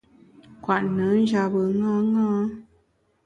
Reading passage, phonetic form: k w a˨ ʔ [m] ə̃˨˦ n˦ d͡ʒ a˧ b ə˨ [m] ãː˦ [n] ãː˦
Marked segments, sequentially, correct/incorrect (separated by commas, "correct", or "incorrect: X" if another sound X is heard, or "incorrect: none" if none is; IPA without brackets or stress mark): incorrect: n, incorrect: ŋ, incorrect: ŋ